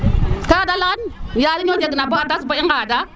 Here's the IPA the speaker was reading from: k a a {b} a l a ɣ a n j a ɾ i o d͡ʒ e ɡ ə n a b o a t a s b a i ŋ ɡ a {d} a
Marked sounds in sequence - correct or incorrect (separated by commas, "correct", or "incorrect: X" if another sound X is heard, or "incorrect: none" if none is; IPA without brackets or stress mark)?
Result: incorrect: d, correct